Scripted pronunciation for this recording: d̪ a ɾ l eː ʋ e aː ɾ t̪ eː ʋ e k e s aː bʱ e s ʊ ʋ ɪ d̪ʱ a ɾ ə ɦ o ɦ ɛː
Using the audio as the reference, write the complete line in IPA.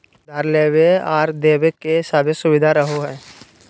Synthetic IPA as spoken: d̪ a ɾ l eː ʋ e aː ɾ d̪ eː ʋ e k e s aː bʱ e s ʊ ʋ ɪ d̪ʱ a ɾ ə ɦ o ɦ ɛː